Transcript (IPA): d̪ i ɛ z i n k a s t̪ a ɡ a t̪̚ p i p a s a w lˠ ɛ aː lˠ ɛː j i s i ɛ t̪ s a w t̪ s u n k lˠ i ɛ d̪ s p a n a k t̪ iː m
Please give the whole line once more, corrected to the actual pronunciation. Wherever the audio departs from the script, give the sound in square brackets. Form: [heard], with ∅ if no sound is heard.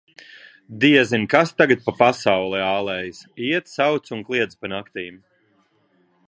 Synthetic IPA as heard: d̪ i ɛ z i n k a s t̪ a ɡ a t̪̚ p [a] p a s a w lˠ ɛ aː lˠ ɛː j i s i ɛ t̪ s a w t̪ s u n k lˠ i ɛ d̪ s p a n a k t̪ iː m